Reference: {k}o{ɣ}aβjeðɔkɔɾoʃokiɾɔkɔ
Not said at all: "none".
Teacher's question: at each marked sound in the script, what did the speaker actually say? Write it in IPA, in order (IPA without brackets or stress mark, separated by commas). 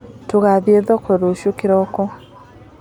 t, ɣ